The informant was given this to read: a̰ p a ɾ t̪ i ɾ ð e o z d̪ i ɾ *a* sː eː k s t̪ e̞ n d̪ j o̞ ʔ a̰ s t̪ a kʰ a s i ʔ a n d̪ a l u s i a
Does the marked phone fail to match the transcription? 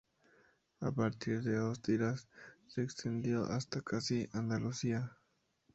no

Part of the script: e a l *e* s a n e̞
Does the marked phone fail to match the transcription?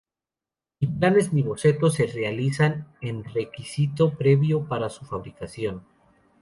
yes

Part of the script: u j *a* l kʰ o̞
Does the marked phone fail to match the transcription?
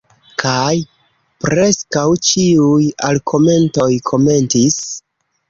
no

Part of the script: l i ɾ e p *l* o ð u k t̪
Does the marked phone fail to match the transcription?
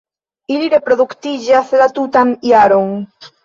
yes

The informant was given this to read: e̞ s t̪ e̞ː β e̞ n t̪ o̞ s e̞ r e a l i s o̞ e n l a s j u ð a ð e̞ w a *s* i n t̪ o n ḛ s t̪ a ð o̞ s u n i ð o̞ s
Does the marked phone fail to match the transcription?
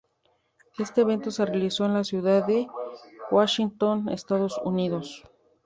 yes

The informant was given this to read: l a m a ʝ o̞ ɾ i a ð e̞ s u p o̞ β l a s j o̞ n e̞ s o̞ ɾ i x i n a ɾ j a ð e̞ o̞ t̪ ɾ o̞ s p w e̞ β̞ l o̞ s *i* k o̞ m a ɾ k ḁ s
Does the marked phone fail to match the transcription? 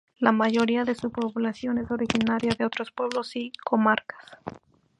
no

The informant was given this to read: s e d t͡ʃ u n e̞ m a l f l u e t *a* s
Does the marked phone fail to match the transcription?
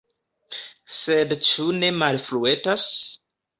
no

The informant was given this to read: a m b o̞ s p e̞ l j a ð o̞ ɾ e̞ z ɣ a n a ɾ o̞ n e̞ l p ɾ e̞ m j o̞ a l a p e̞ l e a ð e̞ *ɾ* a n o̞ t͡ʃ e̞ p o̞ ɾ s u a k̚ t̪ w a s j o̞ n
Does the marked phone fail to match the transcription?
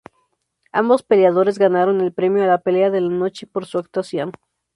yes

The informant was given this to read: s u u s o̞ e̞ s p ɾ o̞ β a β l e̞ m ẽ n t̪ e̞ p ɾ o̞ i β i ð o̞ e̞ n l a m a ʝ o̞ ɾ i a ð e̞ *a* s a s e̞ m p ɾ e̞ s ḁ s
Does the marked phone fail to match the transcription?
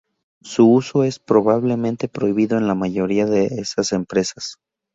yes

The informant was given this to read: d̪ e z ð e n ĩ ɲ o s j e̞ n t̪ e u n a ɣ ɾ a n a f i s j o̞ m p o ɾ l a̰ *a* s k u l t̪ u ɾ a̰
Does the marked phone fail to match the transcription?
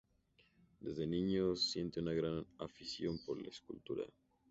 yes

